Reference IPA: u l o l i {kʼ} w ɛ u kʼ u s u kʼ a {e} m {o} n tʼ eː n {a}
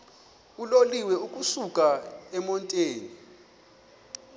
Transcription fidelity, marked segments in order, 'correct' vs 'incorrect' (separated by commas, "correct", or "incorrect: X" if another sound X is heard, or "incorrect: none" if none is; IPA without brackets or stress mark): incorrect: none, incorrect: ɛ, incorrect: ɔ, incorrect: i